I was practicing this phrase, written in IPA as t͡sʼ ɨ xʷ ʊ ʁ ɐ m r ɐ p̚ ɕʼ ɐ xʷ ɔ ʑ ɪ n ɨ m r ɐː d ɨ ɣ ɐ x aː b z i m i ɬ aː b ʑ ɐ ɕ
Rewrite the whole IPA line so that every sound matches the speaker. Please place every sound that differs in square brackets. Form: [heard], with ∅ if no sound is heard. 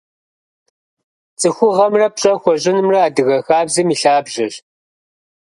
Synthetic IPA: t͡sʼ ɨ xʷ ʊ ʁ ɐ m r ɐ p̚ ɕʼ ɐ xʷ ɔ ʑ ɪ n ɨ m r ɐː d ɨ ɣ ɐ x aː b z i m i ɬ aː b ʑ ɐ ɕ